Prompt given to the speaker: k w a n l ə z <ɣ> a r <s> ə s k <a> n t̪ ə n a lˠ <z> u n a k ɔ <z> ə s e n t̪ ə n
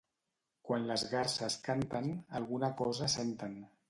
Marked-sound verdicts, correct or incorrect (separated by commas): correct, correct, correct, incorrect, correct